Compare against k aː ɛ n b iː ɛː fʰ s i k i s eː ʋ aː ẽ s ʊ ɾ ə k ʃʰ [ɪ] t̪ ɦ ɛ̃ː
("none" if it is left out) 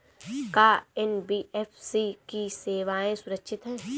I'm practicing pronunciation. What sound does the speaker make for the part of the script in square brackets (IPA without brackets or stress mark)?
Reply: ɪ